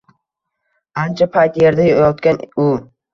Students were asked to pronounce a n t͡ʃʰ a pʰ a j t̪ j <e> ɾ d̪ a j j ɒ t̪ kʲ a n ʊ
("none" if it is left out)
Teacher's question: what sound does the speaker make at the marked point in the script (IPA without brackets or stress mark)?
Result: e